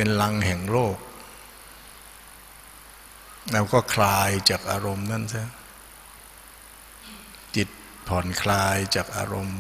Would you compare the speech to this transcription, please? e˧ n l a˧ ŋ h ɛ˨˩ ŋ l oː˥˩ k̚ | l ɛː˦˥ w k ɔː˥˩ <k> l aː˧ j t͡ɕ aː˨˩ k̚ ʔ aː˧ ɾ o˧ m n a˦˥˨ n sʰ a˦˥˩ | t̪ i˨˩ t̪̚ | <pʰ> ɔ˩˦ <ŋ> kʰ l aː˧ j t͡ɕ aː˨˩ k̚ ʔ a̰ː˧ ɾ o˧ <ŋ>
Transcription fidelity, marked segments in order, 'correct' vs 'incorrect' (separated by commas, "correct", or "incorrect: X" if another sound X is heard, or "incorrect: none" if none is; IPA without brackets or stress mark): incorrect: kʰ, correct, incorrect: n, incorrect: m